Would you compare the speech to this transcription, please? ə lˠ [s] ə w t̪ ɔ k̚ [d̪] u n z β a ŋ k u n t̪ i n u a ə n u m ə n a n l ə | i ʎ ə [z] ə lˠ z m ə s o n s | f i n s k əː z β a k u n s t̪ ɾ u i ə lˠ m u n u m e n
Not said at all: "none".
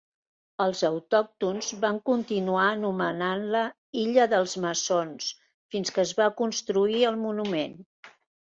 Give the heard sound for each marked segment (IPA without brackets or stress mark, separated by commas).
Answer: z, t̪, ð